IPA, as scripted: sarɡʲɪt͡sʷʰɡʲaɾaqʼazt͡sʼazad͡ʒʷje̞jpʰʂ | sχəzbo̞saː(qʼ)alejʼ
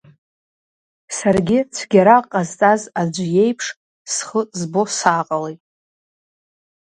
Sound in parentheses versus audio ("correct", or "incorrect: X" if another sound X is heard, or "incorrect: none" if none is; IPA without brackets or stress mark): correct